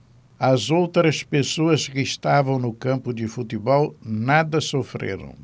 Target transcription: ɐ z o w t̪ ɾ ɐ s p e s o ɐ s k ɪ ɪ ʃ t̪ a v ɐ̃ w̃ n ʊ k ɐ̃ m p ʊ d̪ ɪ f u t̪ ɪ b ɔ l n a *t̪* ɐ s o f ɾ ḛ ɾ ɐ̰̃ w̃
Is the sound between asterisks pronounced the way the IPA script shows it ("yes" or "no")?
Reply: no